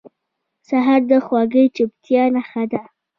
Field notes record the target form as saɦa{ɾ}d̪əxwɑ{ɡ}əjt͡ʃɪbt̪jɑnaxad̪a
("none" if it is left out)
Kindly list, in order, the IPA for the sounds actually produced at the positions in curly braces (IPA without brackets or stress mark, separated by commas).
ɾ, ɡ